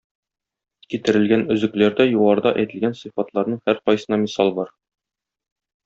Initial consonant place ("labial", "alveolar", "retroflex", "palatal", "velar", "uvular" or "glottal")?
velar